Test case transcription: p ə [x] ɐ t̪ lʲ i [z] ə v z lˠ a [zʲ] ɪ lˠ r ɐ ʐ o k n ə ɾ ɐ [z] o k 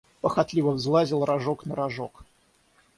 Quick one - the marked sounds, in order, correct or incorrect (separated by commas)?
correct, incorrect, correct, incorrect